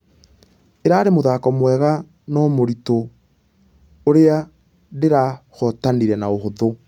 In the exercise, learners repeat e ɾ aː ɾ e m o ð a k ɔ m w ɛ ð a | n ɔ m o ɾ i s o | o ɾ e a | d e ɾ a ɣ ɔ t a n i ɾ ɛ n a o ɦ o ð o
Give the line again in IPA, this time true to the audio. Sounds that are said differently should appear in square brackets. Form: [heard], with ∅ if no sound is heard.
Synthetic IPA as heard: e ɾ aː ɾ e m o ð a k ɔ m w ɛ [ɣ] a | n ɔ m o ɾ i [t] o | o ɾ e a | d e ɾ a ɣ ɔ t a n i ɾ ɛ n a o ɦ o ð o